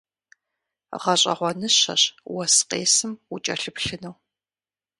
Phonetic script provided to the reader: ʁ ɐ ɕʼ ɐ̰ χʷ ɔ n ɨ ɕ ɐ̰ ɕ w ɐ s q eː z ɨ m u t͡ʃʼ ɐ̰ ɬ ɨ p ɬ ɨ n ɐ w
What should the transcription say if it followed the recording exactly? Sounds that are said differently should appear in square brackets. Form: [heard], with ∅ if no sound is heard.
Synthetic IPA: ʁ ɐ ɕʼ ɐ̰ [ʁʷ] ɔ n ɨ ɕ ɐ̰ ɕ w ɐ s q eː [s] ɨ m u t͡ʃʼ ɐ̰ ɬ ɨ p ɬ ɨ n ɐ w